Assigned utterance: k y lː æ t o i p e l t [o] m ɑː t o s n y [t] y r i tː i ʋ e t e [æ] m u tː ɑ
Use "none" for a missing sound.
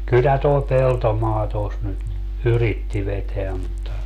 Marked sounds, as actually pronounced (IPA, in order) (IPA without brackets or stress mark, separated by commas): o, t, æ